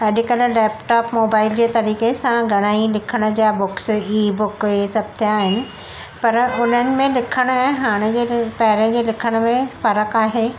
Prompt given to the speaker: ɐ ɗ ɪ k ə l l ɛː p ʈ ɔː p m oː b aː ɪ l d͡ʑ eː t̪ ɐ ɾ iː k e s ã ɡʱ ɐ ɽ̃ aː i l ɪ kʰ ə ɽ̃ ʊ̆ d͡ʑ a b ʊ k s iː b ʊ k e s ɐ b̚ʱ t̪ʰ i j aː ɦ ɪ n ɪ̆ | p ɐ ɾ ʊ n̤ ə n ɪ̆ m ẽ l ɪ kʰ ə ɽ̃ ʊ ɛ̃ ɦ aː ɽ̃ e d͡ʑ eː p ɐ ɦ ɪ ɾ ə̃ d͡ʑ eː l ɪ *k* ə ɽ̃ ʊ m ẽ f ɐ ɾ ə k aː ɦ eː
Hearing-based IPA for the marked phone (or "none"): kʰ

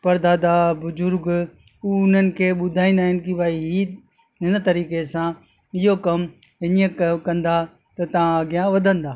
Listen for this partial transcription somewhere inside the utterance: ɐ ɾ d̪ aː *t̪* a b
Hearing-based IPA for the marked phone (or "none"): d̪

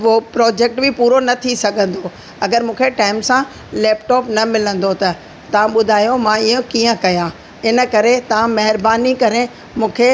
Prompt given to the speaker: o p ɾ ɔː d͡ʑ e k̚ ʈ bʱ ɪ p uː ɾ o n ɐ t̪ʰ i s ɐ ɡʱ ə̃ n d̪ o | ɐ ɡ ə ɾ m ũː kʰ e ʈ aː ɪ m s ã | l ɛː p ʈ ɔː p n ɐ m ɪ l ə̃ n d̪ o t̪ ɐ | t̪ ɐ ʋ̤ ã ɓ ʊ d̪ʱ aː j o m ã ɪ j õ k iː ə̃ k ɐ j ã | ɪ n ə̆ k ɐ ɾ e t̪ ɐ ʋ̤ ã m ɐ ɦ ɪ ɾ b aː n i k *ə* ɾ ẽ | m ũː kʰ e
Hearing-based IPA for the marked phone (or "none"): ɐ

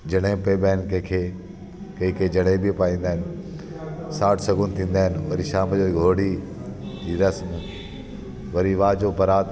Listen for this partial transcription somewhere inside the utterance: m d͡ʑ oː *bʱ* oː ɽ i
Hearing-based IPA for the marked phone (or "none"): ɡʱ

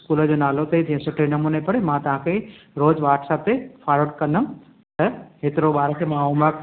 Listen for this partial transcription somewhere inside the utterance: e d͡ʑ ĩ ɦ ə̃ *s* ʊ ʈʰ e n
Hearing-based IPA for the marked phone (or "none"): s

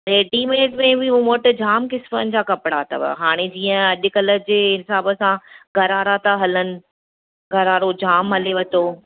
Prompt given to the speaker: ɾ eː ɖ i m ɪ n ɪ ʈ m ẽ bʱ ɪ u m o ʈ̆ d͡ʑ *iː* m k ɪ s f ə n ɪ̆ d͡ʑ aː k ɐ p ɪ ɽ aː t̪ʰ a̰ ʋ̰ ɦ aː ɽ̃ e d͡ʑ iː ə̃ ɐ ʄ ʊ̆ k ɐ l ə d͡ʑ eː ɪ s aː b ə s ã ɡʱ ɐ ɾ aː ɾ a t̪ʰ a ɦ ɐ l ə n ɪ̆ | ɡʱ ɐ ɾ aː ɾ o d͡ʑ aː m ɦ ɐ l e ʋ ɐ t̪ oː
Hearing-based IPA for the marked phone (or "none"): aː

